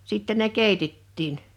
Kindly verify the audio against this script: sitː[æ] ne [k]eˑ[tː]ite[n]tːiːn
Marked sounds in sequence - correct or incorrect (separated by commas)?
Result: incorrect, correct, incorrect, incorrect